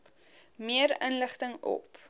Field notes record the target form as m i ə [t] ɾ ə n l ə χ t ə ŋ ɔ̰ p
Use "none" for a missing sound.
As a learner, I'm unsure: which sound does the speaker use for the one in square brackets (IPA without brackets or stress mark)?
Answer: none